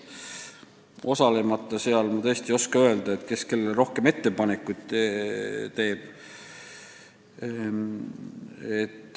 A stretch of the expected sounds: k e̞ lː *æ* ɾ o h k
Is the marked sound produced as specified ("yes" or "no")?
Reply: no